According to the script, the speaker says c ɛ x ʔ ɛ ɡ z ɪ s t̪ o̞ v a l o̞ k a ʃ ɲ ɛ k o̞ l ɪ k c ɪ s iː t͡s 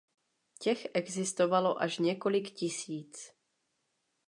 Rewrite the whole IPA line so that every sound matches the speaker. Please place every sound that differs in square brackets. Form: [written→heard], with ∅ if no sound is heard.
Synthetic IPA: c ɛ x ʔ ɛ ɡ z ɪ s t̪ o̞ v a l o̞ [k→ʔ] a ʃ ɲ ɛ k o̞ l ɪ k c ɪ s iː t͡s